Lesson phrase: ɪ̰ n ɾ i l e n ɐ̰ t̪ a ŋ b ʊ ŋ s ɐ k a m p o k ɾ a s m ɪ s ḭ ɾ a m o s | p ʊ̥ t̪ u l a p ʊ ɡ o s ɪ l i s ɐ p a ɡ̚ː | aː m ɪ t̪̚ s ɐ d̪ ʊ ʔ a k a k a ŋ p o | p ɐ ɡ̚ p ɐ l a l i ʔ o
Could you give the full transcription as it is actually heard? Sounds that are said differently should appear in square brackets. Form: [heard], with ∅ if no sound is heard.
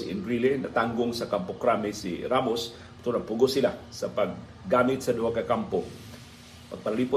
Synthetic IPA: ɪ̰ n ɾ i l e n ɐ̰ t̪ a ŋ [ɡ] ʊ ŋ s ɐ k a m p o k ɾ a [∅] m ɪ s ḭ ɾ a m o s | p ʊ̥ t̪ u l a p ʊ ɡ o s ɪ l [a] s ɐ p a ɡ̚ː | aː m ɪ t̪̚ s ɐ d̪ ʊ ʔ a k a k a [m] p o | p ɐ ɡ̚ p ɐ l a l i [p] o